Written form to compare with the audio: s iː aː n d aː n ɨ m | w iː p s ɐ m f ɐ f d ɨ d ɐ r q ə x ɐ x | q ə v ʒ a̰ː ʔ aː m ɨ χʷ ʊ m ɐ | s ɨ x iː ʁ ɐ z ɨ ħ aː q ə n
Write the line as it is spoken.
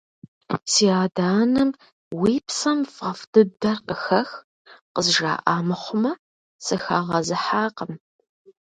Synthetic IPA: s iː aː d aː n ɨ m | w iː p s ɐ m f ɐ f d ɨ d ɐ r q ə x ɐ x | q ə z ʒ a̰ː ʔ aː m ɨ χʷ ʊ m ɐ | s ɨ x aː ʁ ɐ z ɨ ħ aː q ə m